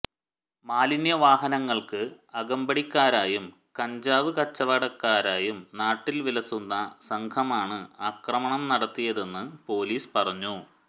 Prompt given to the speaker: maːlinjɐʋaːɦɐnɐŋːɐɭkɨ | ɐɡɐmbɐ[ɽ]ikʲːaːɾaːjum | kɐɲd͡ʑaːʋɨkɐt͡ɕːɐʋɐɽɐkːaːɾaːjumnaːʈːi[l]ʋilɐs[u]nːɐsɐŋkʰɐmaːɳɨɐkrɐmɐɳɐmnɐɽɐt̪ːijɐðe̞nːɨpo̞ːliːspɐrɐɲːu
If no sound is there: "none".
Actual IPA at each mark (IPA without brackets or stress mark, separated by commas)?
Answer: ɽ, l, u